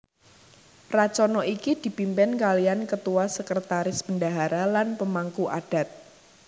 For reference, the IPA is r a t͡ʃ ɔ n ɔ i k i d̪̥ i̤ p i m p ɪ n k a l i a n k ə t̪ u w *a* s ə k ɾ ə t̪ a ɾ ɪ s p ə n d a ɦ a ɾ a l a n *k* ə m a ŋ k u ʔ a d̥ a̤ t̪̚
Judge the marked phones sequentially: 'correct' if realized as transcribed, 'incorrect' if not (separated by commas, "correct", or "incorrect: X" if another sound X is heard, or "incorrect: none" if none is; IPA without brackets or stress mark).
correct, incorrect: p